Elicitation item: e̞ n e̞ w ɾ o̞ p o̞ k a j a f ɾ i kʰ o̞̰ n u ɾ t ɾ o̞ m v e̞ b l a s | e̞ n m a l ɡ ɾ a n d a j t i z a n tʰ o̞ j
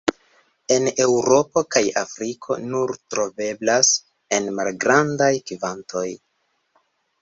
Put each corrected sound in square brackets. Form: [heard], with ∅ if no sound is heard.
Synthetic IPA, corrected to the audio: e̞ n e̞ w ɾ o̞ p o̞ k a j a f ɾ i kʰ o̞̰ n u ɾ t ɾ o̞ [∅] v e̞ b l a s | e̞ n m a l ɡ ɾ a n d a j [k] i [v] a n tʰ o̞ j